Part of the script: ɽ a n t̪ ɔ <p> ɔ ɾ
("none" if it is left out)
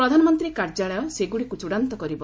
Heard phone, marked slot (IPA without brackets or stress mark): k